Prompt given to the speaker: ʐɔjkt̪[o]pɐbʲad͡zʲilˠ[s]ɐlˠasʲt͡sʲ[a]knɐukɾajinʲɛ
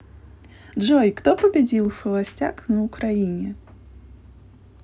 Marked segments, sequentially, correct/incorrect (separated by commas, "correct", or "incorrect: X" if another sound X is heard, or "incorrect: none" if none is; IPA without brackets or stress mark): incorrect: ɔ, incorrect: x, correct